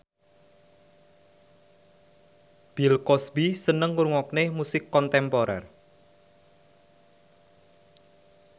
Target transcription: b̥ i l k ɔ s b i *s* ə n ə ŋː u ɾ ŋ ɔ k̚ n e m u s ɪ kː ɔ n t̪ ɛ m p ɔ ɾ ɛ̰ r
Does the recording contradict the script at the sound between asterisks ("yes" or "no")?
no